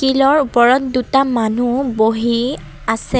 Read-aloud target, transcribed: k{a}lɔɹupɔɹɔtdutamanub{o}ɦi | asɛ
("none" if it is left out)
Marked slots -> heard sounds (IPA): i, o

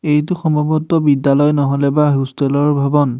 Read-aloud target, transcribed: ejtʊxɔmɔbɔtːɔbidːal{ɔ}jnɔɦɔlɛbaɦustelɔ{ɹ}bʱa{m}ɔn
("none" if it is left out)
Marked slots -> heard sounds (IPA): ɔ, ɹ, b

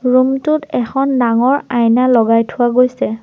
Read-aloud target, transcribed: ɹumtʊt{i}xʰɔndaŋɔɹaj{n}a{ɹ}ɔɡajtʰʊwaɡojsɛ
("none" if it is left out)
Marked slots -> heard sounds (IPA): ɛ, n, l

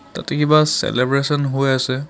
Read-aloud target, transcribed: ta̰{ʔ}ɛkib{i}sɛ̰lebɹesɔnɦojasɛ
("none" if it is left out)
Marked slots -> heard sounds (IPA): t, a

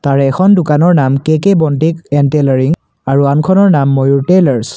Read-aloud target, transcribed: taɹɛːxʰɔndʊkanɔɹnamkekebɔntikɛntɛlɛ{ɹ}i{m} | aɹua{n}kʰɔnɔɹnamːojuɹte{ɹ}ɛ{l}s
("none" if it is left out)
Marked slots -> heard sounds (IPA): ɹ, ŋ, n, l, ɹ

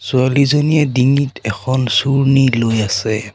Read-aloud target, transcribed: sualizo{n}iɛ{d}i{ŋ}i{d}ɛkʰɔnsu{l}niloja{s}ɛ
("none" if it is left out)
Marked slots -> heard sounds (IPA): n, d, ŋ, t, ɹ, s

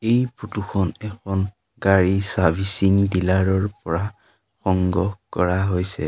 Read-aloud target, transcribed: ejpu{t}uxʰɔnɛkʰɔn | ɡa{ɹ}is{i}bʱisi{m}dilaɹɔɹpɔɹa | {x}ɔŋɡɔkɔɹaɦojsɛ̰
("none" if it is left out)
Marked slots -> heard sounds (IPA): t, ɹ, a, ŋ, x

